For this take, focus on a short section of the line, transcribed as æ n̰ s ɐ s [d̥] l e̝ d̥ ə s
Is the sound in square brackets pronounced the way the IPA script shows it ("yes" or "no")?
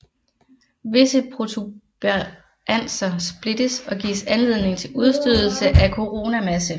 no